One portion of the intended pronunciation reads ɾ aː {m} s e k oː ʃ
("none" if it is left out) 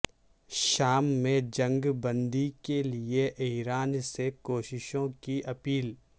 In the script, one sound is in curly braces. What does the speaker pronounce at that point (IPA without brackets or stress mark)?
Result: n